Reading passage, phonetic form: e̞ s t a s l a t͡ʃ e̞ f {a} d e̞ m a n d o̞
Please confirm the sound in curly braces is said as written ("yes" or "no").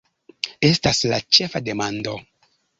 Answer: yes